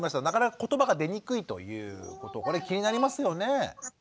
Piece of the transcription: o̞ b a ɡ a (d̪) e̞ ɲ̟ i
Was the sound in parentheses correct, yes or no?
yes